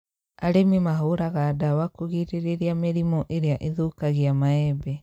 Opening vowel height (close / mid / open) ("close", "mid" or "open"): open